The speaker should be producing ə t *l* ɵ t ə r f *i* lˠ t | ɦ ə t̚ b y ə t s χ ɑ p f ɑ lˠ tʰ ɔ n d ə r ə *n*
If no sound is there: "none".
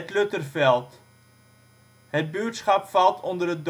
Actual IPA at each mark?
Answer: l, ɛ, d

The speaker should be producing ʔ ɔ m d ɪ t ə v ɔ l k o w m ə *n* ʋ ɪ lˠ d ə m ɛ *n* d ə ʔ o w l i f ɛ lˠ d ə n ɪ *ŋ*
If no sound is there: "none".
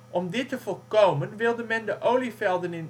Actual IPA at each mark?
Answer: n, n, n

